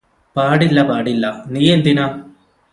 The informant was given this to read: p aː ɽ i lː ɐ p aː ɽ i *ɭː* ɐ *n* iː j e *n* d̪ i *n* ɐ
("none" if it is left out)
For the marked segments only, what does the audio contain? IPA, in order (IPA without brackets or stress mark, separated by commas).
lː, n, n, n